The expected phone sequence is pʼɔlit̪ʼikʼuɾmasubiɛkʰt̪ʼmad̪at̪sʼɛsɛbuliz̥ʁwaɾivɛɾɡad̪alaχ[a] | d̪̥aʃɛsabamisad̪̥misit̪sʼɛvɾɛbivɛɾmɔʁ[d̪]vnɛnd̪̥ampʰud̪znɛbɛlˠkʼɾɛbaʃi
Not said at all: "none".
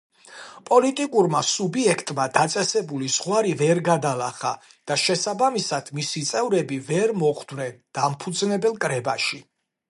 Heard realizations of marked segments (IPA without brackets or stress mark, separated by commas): a, d̪